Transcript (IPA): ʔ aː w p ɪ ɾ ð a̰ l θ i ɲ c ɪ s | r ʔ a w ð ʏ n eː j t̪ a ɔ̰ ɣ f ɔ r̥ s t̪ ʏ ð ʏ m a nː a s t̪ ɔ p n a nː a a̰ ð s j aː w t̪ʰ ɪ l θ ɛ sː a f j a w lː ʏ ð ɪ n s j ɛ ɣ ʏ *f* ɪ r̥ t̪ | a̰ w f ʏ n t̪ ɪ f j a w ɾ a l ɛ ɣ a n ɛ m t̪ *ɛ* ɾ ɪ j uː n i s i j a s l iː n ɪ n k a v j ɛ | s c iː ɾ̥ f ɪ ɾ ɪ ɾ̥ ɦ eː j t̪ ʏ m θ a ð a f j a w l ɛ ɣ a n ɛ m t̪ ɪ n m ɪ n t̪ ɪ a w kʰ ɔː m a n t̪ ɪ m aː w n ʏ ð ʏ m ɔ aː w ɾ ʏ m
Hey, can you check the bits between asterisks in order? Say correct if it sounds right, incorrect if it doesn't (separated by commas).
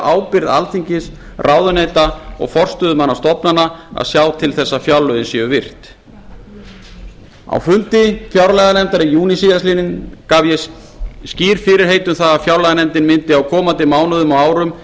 incorrect, incorrect